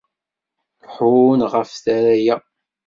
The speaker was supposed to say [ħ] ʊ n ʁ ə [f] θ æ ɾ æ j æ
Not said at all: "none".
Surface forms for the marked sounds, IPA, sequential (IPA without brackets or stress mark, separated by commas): ħ, f